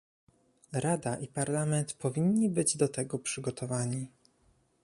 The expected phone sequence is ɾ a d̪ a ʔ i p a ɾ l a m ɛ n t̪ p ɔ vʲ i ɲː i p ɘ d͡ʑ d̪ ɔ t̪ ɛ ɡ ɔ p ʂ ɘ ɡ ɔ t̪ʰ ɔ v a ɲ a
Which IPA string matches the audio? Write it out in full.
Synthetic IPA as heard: ɾ a d̪ a ʔ i p a ɾ l a m ɛ n t̪ p ɔ vʲ i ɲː i b ɘ d͡ʑ d̪ ɔ t̪ ɛ ɡ ɔ p ʂ ɘ ɡ ɔ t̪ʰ ɔ v a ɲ i